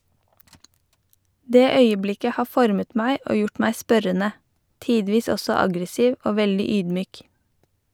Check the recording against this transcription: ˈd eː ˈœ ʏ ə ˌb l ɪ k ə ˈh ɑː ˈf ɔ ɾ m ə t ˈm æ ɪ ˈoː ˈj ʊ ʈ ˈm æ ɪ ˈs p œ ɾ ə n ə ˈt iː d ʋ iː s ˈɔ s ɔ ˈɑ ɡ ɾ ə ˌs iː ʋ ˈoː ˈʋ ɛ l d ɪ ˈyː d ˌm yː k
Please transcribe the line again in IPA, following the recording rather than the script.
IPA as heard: ˈd eː ˈœ ʏ ə ˌb l ɪ k ə ˈh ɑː ˈf ɔ ɾ m ə t ˈm æ ɪ ˈoː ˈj ʊ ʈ ˈm æ ɪ ˈs p œ ɾ ə n ə ˈt iː d ʋ iː s ˈɔ s ɔ ˈɑ ɡ ɾ ə ˌs iː ʋ ˈoː ˈʋ ɛ l d ɪ ˈyː d ˌm yː k

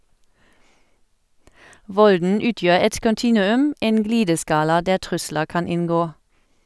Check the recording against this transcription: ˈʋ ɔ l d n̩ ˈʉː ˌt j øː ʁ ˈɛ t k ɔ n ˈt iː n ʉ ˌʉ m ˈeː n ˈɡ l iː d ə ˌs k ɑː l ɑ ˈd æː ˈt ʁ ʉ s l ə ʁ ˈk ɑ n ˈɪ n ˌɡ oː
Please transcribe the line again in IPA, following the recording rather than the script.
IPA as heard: ˈʋ ɔ l d n̩ ˈʉː ˌt j øː ʁ ˈɛ t k ɔ n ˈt iː n ʉ ˌʉ m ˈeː n ˈɡ l iː d ə ˌs k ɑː l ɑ ˈd æː ˈt ʁ ʉ s l ə ʁ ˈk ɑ n ˈɪ n ˌɡ oː

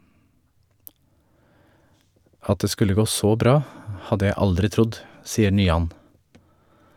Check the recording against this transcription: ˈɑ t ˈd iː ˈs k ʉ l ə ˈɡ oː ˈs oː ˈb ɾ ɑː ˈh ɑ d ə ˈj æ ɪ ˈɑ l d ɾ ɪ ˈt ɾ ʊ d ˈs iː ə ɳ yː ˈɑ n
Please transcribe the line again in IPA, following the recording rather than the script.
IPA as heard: ˈɑ t ˈd eː ˈs k ʉ l ə ˈɡ oː ˈs oː ˈb ɾ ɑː ˈh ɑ d ə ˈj æ ɪ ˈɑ l d ɾ ɪ ˈt ɾ ʊ d ˈs iː ə ɳ yː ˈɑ n

